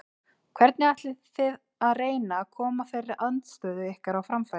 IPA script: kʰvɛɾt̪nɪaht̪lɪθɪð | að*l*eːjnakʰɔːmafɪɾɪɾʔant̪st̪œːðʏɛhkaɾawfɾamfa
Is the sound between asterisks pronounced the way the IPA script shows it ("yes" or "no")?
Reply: no